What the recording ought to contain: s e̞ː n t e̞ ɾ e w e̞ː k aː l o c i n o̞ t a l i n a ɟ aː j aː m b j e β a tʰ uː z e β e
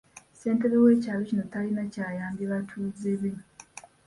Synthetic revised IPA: s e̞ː n t e̞ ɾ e w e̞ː c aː l o c i n o̞ t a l i n a c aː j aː m b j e β a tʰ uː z e β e